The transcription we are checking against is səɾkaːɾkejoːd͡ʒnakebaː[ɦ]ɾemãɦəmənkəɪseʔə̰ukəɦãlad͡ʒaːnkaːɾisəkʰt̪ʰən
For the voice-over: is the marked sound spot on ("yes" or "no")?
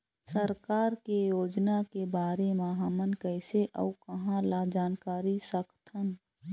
no